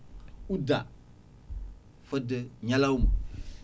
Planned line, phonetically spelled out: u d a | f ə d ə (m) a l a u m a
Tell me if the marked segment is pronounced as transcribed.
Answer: no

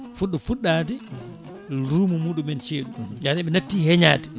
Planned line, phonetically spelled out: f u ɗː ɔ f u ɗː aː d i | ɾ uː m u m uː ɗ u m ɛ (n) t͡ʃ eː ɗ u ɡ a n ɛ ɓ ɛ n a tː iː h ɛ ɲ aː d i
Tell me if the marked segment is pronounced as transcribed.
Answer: yes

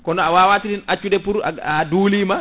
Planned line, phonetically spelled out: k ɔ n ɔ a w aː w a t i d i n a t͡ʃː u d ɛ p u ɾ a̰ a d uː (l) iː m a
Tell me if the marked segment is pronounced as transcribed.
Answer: yes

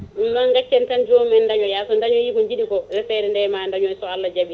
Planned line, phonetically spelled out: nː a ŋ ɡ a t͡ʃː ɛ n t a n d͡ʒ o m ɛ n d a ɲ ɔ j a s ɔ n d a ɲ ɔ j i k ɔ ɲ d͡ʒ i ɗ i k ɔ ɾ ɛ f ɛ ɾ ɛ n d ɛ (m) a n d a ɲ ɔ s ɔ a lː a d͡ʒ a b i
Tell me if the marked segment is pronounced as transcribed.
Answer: yes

